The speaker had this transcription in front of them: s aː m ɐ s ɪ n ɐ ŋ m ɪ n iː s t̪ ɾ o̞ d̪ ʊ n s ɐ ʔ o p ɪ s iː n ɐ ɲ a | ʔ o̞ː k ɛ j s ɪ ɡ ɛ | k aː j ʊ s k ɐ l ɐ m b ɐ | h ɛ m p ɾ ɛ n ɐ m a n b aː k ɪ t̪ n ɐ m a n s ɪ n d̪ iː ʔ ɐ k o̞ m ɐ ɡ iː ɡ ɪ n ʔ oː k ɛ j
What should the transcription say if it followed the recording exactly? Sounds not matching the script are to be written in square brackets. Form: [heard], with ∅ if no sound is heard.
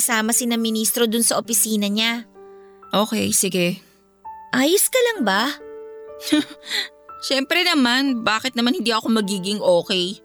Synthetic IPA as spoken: s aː m ɐ s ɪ n ɐ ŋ m ɪ n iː s t̪ ɾ o̞ d̪ ʊ n s ɐ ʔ o p ɪ s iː n ɐ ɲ a | ʔ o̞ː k ɛ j s ɪ ɡ ɛ | [ʔ] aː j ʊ s k ɐ l ɐ [ŋ] b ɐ | [ʃ] ɛ m p ɾ ɛ n ɐ m a n b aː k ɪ t̪ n ɐ m a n [h] ɪ n d̪ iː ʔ ɐ k o̞ m ɐ ɡ iː ɡ ɪ [ŋ] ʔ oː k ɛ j